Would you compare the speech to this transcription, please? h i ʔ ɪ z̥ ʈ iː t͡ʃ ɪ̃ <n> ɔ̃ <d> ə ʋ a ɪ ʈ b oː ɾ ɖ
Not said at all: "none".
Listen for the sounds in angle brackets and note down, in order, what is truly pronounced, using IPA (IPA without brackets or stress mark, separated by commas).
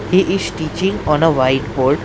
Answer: ŋ, n